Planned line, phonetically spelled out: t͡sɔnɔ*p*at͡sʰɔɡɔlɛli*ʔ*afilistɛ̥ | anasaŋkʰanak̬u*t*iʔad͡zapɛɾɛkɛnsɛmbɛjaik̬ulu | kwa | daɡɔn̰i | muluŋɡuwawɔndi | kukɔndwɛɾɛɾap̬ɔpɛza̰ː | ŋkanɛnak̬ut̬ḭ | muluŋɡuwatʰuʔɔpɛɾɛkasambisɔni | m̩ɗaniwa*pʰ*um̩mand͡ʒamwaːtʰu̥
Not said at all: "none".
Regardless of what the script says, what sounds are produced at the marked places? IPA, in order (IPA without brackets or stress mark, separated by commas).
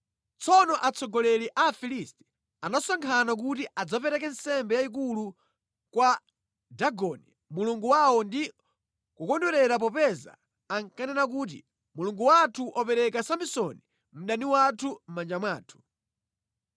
ʔ, ʔ, t, tʰ